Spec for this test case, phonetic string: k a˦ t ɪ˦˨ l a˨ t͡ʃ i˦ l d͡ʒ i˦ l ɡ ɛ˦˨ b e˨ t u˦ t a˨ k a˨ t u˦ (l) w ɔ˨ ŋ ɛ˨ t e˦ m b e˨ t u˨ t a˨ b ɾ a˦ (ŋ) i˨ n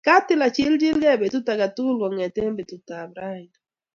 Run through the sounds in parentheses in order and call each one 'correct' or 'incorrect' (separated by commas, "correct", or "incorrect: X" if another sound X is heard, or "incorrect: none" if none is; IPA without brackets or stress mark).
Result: correct, incorrect: none